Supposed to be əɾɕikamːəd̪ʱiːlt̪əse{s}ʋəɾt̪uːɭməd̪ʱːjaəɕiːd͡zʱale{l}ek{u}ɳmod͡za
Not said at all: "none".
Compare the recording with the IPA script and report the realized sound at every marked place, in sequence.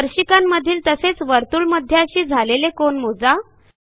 t͡s, l, o

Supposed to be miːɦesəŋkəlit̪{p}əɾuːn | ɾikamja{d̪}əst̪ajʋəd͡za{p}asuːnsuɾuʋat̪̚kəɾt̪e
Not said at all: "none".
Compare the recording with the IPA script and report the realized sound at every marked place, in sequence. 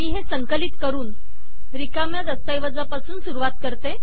k, d̪, p

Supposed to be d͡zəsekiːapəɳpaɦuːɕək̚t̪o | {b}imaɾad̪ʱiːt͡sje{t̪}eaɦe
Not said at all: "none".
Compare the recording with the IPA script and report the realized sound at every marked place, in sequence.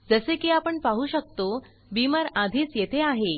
b, t̪ʰ

